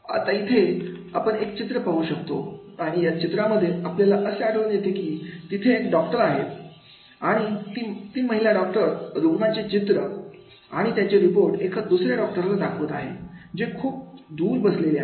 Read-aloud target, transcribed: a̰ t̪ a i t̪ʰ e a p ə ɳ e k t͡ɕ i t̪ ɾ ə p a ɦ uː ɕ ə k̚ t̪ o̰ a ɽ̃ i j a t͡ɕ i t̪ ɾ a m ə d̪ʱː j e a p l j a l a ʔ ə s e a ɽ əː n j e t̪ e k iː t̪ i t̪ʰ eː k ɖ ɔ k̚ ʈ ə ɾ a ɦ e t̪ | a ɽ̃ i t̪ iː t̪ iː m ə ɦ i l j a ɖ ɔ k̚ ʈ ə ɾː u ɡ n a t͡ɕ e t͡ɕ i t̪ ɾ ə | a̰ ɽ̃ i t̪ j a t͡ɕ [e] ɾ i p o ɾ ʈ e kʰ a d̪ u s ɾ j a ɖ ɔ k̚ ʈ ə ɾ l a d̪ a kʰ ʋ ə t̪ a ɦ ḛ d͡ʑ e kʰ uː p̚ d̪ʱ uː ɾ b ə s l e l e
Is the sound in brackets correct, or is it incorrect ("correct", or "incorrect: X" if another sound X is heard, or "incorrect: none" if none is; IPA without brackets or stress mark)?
correct